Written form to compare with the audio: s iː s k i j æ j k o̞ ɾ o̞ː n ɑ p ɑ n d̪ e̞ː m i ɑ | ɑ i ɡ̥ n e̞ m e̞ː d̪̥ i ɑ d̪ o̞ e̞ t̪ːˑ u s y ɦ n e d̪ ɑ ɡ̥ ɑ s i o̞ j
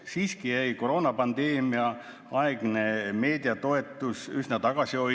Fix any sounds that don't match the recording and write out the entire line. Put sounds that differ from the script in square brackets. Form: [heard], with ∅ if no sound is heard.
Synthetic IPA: s iː s k i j æ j k o̞ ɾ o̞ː n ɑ p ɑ n d̪ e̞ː m i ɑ | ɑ [e] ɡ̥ n e̞ m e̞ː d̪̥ i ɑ [t̪] o̞ e̞ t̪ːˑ u s y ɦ n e [t̪] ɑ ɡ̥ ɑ s i o̞ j